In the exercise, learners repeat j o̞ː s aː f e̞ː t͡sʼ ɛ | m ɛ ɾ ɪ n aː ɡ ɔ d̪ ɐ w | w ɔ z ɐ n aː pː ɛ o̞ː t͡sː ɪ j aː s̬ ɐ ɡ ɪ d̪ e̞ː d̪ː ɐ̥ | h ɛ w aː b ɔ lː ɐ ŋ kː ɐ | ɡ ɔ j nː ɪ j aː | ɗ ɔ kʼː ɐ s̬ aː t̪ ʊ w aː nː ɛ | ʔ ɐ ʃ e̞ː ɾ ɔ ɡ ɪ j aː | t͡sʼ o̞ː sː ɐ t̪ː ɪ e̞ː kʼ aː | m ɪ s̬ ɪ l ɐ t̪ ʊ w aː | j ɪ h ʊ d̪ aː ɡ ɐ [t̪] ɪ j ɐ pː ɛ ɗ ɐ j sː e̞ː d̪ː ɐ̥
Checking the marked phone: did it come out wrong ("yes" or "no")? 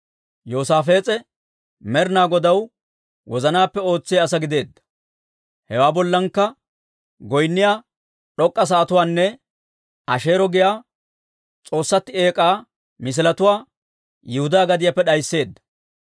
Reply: yes